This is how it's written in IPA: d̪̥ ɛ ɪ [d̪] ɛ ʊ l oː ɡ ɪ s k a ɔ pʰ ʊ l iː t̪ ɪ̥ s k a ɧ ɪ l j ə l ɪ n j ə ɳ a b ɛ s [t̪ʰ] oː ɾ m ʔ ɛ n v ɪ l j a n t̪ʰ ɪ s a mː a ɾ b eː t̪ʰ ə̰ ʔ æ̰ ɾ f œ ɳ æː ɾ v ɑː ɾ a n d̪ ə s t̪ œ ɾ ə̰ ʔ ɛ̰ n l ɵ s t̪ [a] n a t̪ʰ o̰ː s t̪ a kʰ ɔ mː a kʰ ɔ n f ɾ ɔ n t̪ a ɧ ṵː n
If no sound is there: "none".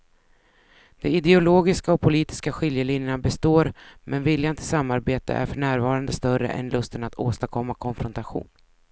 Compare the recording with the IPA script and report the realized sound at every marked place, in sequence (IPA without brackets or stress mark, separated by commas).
d̪, t̪, ə